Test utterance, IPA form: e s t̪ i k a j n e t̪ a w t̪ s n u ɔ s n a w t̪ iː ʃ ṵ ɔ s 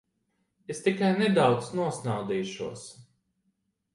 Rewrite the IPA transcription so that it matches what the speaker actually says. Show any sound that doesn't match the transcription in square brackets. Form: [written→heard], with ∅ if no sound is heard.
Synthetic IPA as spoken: e s t̪ i k a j n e [t̪→d̪] a w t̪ s n u ɔ s n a w [t̪→d̪] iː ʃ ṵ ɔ s